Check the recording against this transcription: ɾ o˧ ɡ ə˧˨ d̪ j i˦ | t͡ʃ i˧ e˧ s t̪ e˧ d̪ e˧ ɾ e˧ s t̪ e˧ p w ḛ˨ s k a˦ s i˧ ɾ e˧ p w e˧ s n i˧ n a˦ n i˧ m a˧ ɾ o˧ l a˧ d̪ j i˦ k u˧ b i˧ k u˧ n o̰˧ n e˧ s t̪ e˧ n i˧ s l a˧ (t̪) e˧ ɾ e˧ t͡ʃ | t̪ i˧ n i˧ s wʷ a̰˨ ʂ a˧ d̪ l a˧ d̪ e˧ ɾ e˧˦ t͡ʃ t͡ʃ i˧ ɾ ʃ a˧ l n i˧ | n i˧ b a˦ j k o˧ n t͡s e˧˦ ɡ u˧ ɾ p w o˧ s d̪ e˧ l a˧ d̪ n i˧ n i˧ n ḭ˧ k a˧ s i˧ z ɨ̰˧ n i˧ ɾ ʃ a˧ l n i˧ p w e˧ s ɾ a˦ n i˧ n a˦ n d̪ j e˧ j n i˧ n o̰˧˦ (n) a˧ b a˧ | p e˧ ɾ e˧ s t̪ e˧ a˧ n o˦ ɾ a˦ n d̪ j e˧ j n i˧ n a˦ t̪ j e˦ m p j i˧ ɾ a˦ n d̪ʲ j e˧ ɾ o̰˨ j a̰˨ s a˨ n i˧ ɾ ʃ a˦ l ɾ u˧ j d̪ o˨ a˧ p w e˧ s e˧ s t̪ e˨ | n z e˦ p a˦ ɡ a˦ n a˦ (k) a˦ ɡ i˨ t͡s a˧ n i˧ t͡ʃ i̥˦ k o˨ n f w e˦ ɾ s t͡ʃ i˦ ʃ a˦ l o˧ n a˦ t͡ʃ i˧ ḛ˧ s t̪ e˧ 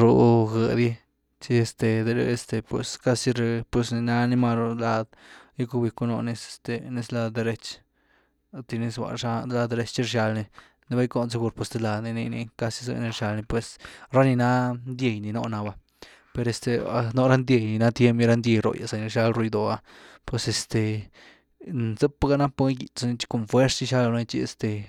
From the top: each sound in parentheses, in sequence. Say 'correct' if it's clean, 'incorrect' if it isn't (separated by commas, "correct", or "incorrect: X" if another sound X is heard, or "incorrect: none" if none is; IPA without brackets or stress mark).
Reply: incorrect: d̪, correct, incorrect: p